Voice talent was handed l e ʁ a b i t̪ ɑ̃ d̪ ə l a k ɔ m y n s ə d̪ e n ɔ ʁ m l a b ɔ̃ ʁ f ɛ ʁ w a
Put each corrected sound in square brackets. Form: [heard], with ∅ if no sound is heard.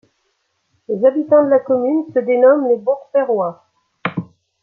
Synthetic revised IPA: l e [z] a b i t̪ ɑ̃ d̪ ə l a k ɔ m y n s ə d̪ e n ɔ [∅] m l [e] b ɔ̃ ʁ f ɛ ʁ w a